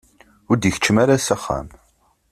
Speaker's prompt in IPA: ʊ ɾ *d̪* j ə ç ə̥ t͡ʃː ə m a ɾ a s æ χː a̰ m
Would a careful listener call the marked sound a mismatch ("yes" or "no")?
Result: no